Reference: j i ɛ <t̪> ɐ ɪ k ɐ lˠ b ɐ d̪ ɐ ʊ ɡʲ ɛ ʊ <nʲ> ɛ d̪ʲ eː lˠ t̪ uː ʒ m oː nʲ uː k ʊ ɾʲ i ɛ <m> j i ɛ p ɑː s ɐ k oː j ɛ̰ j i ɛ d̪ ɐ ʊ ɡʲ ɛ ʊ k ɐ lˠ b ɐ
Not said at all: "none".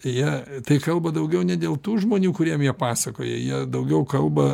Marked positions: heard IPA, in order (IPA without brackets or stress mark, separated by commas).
t̪, nʲ, m